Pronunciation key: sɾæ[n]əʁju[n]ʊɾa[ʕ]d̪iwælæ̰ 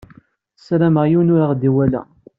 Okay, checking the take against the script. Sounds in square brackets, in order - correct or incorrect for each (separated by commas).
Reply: incorrect, correct, incorrect